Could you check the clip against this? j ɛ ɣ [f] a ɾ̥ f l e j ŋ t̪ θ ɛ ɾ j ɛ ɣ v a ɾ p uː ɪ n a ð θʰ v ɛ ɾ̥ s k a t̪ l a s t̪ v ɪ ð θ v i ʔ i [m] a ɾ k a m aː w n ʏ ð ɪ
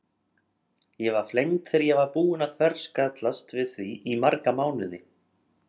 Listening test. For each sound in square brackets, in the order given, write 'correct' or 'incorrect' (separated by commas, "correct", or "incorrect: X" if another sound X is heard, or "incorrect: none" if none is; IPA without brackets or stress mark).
incorrect: v, correct